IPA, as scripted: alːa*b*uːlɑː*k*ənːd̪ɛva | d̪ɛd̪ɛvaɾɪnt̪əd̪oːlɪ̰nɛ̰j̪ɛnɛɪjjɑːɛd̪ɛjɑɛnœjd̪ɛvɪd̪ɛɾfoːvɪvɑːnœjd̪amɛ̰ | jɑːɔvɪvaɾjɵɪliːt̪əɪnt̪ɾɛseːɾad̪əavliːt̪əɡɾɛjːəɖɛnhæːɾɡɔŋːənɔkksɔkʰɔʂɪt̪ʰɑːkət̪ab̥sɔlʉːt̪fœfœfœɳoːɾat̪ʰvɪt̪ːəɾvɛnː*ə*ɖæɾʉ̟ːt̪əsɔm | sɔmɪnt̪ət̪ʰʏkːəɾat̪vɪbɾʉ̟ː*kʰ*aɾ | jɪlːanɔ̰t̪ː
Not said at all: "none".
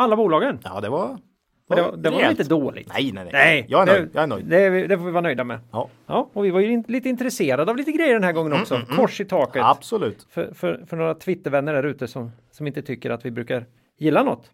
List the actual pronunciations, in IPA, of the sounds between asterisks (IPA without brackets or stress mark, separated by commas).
b, ɡ, ə, k